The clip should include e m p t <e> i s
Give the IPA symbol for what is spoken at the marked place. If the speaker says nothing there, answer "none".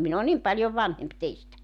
e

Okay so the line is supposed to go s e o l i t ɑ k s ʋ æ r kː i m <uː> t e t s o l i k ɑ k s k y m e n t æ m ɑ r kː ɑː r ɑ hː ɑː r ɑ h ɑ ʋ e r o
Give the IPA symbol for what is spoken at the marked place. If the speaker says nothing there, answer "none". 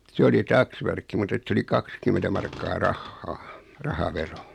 u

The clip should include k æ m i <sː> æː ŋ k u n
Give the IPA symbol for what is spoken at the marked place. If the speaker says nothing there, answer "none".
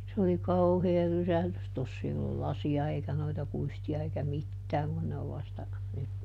tː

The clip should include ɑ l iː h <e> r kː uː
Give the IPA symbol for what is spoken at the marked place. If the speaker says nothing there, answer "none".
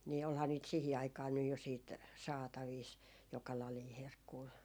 e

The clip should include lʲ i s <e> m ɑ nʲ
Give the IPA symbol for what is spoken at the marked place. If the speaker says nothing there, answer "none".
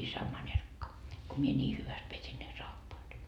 æ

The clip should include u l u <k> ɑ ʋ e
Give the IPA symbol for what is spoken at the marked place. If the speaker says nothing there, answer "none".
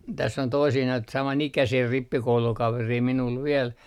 k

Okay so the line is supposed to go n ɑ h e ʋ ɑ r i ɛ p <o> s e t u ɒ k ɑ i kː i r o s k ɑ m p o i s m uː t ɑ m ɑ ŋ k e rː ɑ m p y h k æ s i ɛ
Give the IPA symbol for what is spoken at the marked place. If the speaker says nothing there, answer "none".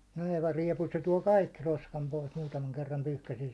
u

